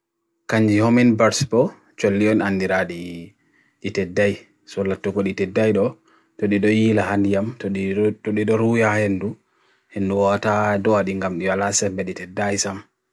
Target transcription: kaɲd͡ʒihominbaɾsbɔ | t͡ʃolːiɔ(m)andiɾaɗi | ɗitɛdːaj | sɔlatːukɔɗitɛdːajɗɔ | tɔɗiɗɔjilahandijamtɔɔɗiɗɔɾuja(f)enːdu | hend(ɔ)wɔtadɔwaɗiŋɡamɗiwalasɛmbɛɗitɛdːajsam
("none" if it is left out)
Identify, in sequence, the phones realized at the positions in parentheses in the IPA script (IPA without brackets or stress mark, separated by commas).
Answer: n, h, u